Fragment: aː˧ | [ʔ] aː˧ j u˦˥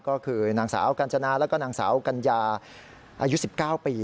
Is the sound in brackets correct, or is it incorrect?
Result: correct